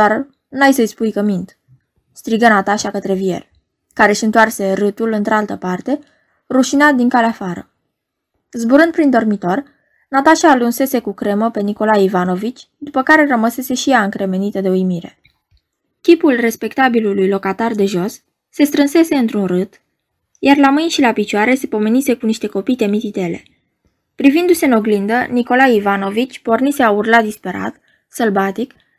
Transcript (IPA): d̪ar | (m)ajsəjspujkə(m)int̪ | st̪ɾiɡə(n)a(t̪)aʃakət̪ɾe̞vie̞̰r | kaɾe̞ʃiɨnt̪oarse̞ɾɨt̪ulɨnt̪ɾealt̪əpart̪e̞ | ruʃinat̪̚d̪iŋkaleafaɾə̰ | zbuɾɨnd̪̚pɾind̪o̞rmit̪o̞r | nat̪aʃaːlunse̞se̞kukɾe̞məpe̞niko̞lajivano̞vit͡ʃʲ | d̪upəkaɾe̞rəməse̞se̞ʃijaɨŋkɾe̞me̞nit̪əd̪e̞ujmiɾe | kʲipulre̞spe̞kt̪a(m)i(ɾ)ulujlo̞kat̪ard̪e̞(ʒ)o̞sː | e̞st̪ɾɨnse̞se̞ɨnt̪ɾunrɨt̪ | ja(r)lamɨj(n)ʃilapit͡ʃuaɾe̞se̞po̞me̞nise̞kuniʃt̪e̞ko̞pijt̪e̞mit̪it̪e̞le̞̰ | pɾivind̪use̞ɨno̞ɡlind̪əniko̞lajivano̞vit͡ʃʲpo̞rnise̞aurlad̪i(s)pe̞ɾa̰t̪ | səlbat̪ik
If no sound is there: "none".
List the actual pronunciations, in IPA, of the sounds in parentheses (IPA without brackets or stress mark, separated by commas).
n, m, n, t̪, b, l, ʒ, r, n, s